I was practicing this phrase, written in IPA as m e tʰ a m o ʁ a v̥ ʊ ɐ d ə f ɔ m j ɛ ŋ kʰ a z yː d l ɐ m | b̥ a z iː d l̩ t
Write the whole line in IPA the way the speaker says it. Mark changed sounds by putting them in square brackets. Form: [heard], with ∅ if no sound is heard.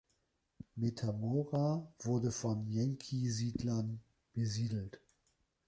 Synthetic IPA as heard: m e tʰ a m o ʁ a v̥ ʊ ɐ d ə f ɔ [n] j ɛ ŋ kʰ [i] z [iː] d l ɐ [n] | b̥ [ə] z iː d l̩ t